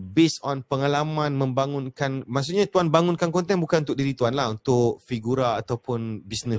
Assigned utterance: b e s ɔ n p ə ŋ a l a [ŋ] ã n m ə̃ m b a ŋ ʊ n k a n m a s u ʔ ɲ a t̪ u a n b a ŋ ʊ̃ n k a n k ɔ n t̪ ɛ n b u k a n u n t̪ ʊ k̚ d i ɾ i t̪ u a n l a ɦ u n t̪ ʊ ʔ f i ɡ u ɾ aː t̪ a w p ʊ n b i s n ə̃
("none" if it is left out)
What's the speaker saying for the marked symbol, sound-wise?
m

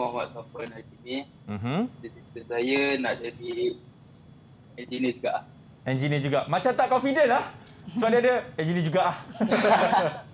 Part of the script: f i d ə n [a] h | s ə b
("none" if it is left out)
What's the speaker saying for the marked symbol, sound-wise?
a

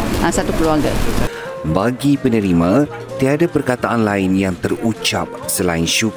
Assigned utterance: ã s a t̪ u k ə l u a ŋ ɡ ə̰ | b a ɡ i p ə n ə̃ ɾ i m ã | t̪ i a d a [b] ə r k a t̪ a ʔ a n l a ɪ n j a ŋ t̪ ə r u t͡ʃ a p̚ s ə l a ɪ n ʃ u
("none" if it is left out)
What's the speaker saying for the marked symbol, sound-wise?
p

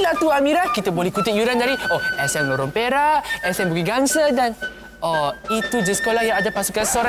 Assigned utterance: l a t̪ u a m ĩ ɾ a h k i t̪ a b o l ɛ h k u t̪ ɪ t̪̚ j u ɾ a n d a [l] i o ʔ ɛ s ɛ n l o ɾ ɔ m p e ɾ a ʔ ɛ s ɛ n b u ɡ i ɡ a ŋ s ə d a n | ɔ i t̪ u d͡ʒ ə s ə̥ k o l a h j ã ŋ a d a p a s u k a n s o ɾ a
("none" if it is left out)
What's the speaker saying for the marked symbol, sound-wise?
ɾ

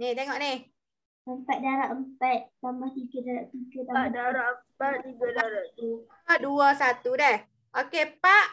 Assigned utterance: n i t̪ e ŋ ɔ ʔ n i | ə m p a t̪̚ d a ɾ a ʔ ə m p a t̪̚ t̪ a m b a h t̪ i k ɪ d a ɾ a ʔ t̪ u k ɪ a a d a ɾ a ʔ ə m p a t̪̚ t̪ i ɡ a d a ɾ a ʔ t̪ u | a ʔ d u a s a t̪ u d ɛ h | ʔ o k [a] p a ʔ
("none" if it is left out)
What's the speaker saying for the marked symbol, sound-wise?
e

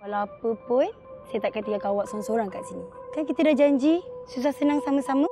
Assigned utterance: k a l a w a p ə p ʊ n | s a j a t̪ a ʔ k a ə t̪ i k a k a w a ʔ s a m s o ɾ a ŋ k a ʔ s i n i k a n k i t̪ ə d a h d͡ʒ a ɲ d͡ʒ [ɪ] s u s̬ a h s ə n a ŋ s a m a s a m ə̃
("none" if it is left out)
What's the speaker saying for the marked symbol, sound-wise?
i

